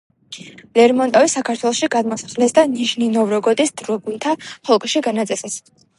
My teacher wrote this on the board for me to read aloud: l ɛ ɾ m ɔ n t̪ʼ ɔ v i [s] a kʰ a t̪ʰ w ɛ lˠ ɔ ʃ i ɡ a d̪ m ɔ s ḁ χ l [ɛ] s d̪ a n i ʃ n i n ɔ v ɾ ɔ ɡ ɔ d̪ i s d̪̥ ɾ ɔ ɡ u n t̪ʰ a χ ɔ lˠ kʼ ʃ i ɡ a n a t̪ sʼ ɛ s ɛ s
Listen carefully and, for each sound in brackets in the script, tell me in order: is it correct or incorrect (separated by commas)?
correct, correct